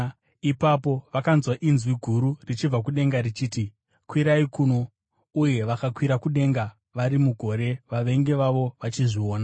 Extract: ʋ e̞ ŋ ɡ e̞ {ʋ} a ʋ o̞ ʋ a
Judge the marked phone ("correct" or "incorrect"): correct